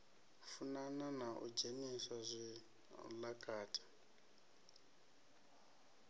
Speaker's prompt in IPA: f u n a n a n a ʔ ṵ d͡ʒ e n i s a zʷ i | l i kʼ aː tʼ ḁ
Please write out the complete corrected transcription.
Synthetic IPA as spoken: f u n a n a n a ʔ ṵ d͡ʒ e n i s a zʷ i | l a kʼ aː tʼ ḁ